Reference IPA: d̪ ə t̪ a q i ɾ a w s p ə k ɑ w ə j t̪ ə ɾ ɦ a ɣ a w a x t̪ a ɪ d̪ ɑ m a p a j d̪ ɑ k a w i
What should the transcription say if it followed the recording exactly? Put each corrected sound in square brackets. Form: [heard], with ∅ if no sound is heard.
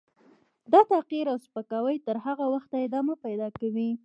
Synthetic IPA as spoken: d̪ [ɑ] t̪ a q i ɾ a w s p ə k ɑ w ə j t̪ ə ɾ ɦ a ɣ a w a x t̪ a ɪ d̪ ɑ m a p a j d̪ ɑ k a w i